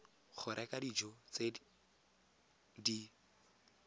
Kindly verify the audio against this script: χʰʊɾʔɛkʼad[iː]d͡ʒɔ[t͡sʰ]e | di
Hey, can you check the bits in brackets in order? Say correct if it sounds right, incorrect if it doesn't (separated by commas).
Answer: incorrect, incorrect